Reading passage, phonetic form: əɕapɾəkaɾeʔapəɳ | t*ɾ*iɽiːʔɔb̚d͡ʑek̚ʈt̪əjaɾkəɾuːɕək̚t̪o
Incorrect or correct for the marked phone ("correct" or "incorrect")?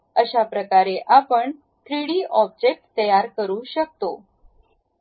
correct